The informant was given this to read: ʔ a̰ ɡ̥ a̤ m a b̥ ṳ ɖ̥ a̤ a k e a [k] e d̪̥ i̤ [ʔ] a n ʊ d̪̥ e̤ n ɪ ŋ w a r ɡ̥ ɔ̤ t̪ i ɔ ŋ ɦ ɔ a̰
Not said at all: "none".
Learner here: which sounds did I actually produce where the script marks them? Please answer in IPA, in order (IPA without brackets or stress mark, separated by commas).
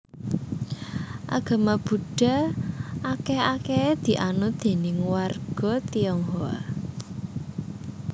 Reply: k, ʔ